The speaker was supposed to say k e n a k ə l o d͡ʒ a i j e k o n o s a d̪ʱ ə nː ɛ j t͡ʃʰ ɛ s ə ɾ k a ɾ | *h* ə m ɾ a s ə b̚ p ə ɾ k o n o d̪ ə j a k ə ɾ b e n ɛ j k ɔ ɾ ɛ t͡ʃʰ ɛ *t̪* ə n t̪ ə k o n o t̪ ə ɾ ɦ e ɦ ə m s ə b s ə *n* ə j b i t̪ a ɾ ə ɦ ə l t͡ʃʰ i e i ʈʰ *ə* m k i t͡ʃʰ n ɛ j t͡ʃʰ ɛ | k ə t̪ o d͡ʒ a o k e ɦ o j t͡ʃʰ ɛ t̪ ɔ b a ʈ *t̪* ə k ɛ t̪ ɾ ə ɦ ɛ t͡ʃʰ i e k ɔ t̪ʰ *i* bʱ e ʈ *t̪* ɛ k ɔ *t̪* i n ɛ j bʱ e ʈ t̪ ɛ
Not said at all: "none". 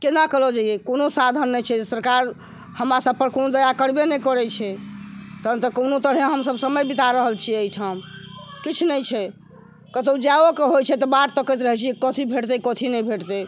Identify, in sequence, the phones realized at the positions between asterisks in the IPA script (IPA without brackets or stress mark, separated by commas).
h, t̪, m, a, t̪, i, t̪, t̪ʰ